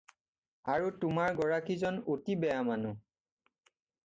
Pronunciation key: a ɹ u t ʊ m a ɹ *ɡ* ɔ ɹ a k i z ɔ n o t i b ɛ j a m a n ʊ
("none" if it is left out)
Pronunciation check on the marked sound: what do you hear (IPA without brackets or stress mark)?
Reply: ɡ